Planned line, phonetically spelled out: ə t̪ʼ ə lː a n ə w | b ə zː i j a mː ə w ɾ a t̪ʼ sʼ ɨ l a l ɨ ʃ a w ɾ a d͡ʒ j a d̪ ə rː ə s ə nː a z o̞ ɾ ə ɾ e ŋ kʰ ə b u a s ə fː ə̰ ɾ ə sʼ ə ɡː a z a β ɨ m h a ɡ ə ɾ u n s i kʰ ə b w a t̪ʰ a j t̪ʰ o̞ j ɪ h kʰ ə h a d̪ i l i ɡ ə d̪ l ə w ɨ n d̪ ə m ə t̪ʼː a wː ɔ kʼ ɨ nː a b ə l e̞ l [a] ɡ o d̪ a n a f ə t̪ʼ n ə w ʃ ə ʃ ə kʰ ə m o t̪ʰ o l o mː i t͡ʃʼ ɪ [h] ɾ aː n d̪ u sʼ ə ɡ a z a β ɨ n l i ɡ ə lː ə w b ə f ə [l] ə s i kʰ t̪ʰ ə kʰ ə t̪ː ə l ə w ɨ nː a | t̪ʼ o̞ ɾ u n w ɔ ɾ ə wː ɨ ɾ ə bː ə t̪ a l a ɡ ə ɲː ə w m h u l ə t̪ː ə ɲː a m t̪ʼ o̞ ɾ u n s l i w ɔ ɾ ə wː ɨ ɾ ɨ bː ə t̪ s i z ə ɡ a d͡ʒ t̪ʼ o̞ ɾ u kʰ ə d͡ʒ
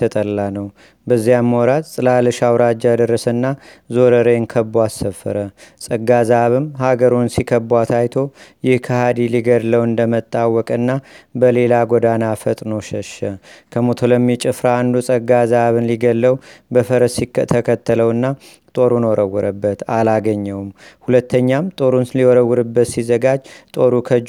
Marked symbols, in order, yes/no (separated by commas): yes, no, no